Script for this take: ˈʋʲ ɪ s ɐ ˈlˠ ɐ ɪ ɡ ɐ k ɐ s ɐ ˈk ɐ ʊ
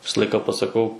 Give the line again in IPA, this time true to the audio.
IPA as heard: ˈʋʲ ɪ s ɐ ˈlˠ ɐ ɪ k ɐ p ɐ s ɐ ˈk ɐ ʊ